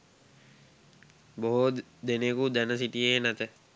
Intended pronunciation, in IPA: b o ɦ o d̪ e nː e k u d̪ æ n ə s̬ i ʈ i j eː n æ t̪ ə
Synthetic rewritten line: b o ɦ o d̪ e n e k u d̪ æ n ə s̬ i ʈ i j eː n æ t̪ ə